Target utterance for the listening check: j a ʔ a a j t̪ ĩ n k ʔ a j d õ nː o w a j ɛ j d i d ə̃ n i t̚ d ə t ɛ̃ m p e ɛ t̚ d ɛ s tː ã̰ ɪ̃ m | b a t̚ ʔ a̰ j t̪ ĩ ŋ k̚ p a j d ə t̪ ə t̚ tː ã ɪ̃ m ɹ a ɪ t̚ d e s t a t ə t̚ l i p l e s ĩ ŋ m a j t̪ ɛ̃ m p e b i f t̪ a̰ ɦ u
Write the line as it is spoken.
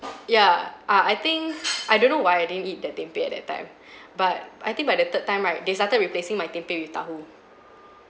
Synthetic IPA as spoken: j a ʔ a a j t̪ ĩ ŋ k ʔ a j d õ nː o w a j a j d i d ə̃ n i t̚ d ə t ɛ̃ m p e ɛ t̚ d ɛ t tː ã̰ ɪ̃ m | b a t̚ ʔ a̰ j t̪ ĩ ŋ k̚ b a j d ə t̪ ə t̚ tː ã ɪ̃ m ɹ a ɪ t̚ d e s t a t ə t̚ ɹ i p l e s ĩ ŋ m a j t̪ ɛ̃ m p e w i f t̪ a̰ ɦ u

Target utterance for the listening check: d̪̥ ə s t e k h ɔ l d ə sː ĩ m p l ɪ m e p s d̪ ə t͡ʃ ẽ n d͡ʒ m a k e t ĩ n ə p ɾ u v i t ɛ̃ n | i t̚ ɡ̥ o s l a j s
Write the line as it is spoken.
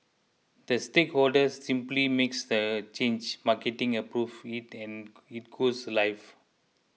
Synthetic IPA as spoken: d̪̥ ə s t e k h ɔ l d ə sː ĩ m p l i m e k s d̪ ə t͡ʃ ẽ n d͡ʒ m a k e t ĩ ŋ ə p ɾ u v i t ɛ̃ n | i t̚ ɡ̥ o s l a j f

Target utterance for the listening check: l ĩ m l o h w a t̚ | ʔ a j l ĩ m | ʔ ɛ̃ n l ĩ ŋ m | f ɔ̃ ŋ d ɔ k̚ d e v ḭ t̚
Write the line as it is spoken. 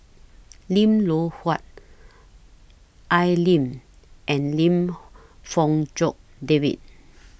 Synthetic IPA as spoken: l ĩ m l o h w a t̚ | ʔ a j l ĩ m | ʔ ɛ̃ n l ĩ m | f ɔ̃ ŋ d͡ʒ ɔ k̚ d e v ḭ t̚

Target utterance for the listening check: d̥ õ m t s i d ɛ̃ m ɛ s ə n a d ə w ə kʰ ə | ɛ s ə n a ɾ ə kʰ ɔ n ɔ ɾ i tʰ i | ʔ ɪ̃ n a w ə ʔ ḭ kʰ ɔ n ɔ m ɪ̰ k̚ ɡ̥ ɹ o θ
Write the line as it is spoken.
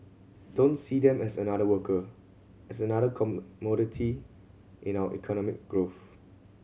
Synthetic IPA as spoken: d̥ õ n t s i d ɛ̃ m ɛ s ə n a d ə w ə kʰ ə | ɛ s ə n a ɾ ə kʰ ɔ m ɔ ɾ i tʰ i | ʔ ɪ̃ n a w ə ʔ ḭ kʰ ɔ n ɔ m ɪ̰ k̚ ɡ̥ ɹ o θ

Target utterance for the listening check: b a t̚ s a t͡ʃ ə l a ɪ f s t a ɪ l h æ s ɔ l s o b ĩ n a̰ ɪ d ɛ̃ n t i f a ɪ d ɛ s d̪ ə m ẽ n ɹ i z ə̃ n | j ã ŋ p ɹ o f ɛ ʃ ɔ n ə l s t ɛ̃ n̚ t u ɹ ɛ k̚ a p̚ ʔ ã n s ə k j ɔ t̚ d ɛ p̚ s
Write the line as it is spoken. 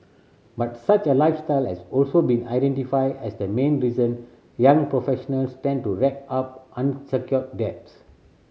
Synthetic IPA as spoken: b a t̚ s a t͡ʃ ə l a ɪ f s t a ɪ l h ɛ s ɔ l s o b ĩ n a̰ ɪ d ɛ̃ n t i f a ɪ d ɛ s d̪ ə m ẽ n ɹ i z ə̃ n | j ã ŋ p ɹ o f ɛ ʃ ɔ n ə l s t ɛ̃ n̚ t u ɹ ɛ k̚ a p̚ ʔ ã n s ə k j ɔ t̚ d ɛ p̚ s

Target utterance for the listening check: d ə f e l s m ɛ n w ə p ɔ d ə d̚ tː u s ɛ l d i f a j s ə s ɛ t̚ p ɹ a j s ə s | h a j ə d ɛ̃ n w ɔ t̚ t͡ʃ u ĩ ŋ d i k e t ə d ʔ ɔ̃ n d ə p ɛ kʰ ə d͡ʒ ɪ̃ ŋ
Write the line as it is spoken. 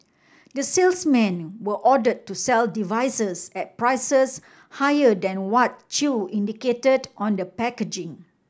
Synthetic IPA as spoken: d ə s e l s m ɛ̃ n w ə ʔ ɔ d ə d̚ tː u s ɛ l d i v a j s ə s ɛ t̚ p ɹ a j s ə s | h a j ə d ɛ̃ n w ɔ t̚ t͡ʃ u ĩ n d i k e t ə d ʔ ɔ̃ n d ə p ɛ k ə d͡ʒ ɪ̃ ŋ

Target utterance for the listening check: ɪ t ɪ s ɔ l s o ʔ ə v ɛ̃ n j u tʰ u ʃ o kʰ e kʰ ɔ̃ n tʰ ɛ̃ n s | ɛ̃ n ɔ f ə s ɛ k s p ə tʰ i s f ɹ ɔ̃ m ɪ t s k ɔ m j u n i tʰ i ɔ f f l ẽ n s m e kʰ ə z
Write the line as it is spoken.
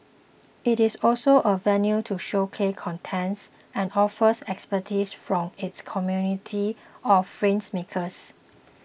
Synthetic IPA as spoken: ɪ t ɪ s ɔ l s o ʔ ə v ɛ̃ n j u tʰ u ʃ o kʰ e kʰ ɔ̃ n tʰ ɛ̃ n s | ɛ̃ n ɔ f ə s ɛ k s p ə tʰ i s f ɹ ɔ̃ m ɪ t s kʰ ɔ m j u n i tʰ i ɔ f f ɹ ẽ n s m e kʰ ə s

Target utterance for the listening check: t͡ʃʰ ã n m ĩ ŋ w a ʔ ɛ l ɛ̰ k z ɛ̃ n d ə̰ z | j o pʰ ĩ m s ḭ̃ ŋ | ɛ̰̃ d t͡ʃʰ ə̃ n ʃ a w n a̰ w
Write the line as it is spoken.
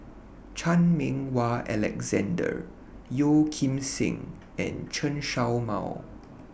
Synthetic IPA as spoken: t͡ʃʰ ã n m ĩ ŋ w a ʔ ɛ l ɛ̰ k z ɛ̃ n d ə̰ | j o kʰ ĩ m s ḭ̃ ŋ | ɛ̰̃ n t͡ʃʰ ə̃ n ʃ a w m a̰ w

